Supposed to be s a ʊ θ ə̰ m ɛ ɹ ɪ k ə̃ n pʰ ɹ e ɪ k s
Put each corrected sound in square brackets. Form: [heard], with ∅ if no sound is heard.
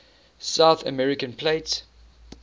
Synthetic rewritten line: s a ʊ θ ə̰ m ɛ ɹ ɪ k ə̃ n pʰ [l] e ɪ [t] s